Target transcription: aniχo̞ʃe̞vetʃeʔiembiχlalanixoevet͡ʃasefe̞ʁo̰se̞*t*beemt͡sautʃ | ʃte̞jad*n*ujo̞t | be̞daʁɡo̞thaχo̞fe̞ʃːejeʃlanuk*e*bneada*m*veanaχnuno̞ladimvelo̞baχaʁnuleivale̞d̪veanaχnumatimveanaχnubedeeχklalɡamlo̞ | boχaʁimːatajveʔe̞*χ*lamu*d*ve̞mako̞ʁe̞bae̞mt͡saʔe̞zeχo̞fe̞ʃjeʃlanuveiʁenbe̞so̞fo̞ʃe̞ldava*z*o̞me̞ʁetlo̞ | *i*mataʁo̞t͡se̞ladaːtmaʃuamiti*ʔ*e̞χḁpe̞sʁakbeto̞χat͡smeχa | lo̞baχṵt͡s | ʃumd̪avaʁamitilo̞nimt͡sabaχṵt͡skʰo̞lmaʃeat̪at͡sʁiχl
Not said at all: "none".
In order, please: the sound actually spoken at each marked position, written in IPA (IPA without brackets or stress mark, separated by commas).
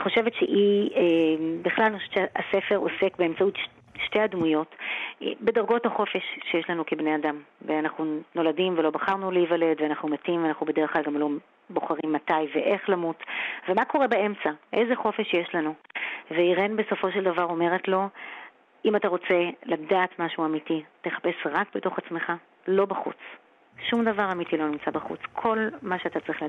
k, m, e, m, χ, t, ʁ, i, t